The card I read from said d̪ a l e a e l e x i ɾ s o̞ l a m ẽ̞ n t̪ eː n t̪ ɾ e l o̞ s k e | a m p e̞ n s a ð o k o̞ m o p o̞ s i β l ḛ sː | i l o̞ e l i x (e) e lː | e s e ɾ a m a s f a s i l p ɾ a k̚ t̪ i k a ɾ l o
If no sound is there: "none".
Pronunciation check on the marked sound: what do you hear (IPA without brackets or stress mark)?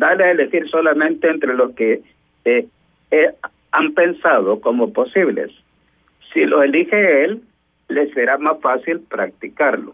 e